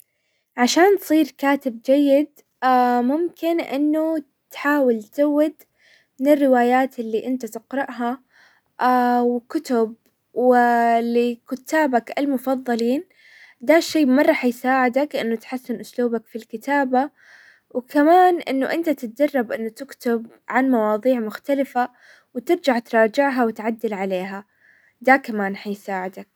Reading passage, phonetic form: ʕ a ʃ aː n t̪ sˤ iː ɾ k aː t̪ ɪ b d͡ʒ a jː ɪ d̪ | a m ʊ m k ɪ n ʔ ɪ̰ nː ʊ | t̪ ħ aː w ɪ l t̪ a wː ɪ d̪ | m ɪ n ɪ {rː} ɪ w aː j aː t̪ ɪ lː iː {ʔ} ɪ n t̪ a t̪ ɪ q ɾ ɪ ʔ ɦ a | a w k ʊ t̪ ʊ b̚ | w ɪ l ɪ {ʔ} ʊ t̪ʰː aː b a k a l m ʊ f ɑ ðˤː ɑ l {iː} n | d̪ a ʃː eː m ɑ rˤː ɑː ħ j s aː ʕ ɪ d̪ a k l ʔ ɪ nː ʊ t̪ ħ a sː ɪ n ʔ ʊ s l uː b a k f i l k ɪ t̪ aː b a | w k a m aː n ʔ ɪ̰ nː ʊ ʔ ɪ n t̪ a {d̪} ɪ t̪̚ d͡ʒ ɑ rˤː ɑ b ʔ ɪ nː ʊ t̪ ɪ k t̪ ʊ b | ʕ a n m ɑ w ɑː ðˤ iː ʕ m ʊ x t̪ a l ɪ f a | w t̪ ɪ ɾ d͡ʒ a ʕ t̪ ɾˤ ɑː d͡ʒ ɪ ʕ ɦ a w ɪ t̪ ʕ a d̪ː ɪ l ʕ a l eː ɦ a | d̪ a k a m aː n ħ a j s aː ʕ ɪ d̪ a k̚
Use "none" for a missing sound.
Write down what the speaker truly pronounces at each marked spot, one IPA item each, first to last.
rː, ʔ, k, iː, t̪

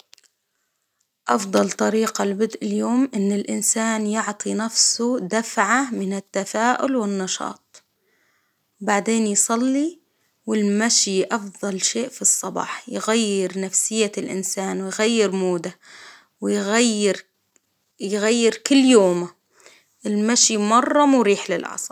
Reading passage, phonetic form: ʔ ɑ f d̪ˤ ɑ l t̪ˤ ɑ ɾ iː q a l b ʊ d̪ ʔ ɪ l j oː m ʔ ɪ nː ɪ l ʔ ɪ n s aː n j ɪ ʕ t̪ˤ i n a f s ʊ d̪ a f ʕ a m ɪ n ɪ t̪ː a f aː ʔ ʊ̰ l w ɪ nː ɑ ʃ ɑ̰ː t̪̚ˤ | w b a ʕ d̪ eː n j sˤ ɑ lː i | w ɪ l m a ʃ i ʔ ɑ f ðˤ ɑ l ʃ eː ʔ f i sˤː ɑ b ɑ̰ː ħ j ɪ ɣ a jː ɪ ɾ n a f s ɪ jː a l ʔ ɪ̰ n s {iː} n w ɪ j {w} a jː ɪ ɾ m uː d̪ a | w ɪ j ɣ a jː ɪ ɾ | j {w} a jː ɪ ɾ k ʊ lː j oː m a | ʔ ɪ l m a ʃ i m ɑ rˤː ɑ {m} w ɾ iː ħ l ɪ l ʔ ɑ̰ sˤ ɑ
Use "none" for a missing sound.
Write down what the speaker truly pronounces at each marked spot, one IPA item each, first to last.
aː, ɣ, ɣ, m

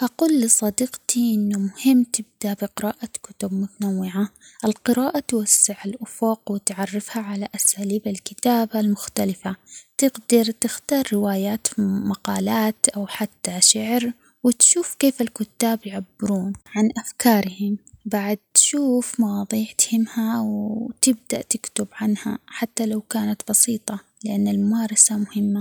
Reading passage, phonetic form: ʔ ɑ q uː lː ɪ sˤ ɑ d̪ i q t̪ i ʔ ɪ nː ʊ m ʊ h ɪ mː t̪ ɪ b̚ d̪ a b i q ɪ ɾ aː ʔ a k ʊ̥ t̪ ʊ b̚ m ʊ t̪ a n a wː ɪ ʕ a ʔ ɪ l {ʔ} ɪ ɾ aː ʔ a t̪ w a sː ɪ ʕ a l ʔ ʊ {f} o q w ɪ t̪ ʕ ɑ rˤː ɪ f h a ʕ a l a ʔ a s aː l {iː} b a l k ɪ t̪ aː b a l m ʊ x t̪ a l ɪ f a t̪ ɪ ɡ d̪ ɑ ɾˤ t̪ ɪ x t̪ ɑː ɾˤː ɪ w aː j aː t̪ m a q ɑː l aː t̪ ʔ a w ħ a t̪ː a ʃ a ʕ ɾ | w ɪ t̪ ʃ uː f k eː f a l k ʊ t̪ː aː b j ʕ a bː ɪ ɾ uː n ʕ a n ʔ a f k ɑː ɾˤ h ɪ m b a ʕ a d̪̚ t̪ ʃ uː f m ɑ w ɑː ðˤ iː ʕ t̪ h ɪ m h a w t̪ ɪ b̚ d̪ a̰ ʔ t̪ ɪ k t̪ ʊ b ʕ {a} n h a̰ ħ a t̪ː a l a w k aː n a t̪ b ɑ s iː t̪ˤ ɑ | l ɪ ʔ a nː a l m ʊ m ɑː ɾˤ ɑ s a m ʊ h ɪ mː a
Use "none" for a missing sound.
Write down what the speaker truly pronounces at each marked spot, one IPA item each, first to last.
q, f, iː, a

